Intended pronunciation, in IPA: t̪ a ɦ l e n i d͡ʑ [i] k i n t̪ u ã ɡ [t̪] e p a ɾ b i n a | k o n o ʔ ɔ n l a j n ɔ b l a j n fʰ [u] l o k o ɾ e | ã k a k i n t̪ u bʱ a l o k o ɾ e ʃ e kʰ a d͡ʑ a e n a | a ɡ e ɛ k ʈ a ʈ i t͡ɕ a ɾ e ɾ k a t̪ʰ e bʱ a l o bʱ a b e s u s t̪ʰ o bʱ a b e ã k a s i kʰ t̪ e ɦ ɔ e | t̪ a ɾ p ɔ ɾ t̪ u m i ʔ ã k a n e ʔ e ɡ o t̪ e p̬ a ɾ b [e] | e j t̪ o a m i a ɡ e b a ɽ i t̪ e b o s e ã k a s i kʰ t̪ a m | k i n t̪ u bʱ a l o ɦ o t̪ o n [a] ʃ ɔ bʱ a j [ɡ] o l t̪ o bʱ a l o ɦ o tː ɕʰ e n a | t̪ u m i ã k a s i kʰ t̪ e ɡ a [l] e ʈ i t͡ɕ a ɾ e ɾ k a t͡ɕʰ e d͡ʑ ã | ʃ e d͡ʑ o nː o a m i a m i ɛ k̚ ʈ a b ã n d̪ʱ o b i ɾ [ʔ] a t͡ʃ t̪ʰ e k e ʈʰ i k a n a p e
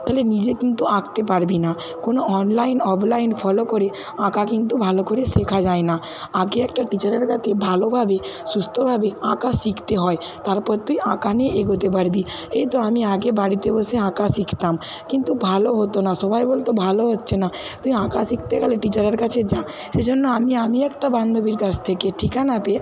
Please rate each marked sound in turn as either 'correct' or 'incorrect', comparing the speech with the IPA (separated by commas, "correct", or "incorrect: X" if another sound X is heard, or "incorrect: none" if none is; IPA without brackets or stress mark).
incorrect: e, correct, incorrect: ɔ, incorrect: i, correct, incorrect: b, correct, incorrect: k